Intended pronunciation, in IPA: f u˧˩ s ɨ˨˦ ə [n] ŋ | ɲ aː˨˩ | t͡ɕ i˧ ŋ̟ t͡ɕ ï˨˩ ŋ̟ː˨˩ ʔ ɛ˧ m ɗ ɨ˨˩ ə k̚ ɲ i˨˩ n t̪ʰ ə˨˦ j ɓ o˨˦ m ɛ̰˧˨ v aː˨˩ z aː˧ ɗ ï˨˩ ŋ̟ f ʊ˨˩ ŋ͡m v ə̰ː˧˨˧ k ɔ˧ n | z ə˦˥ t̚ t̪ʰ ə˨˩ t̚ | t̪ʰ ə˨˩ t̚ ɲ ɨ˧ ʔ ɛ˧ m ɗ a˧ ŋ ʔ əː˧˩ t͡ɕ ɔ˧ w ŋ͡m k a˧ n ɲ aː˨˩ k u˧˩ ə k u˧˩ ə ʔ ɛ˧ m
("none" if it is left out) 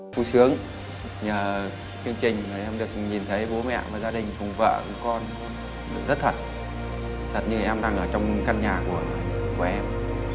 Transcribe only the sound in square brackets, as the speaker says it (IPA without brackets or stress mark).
none